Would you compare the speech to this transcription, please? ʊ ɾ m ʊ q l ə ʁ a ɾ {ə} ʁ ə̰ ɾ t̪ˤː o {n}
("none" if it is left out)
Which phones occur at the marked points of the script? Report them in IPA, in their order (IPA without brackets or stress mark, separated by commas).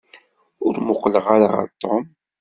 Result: a, m